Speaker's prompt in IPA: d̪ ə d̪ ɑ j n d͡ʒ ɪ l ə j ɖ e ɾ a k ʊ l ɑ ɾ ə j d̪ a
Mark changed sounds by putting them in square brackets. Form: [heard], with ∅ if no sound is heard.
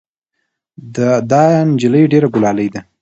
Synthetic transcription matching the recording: d̪ ə d̪ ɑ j n d͡ʒ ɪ l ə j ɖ e ɾ a [ɡ] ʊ l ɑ [l] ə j d̪ a